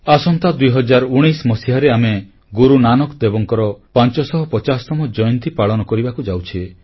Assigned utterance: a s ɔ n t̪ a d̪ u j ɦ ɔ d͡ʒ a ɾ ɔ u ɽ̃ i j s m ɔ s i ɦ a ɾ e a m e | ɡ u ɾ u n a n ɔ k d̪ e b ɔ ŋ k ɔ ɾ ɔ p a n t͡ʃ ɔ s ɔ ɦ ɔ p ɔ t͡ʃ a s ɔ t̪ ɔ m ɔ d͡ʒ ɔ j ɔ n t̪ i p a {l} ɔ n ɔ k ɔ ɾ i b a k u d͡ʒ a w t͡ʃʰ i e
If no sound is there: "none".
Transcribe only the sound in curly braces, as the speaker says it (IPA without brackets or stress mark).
ɭ